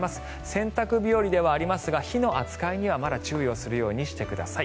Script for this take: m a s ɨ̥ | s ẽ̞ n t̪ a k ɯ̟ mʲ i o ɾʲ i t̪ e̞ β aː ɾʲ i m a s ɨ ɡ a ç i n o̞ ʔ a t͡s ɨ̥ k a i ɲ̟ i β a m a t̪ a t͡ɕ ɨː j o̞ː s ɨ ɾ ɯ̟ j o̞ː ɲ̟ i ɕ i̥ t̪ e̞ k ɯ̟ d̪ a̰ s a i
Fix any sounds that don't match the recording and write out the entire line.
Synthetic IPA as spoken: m a s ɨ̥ | s ẽ̞ n t̪ a k ɯ̟ bʲ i o ɾʲ i d̪ e̞ β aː ɾʲ i m a s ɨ ɡ a ç i n o̞ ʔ a t͡s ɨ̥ k a i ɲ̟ i β a m a d̪ a t͡ɕ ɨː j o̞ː s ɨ ɾ ɯ̟ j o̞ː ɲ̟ i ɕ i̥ t̪ e̞ k ɯ̟ d̪ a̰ s a i